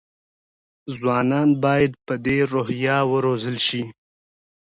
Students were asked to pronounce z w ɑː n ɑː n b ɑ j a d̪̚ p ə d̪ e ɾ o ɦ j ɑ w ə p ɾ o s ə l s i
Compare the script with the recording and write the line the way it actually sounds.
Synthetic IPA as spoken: z w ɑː n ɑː n b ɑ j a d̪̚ p ə d̪ e ɾ o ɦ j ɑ w ə ɾ o z ə l ʃ i